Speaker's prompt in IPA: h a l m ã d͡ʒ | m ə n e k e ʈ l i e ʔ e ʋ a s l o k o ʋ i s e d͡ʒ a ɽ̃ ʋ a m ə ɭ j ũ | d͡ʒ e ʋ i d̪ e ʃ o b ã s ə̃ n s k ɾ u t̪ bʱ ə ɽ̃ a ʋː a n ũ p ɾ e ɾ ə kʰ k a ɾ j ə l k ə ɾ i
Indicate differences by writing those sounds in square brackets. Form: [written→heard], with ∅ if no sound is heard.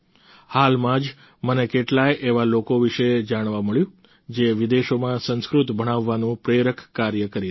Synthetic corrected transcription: h a l m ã d͡ʒ | m ə n e k e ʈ l [i→a] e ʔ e ʋ a [s→∅] l o k o ʋ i [s→ʃ] e d͡ʒ a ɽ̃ ʋ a m ə ɭ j ũ | d͡ʒ e ʋ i d̪ e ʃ o [b→m] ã s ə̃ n s k ɾ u t̪ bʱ ə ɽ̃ a ʋː a n ũ p ɾ e ɾ ə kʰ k a ɾ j ə [l→∅] k ə ɾ i